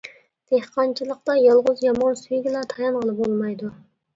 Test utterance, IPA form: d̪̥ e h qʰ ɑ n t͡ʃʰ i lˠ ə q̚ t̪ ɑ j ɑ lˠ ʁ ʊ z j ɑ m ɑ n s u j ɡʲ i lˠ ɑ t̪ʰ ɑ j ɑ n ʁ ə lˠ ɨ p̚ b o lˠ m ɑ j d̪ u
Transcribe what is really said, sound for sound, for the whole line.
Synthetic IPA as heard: d̪̥ e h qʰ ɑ n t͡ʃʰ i lˠ ə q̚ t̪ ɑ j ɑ lˠ ʁ ʊ z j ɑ m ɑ n s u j ɡʲ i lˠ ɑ t̪ʰ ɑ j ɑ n ʁ ə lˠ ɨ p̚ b o lˠ m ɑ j d̪ u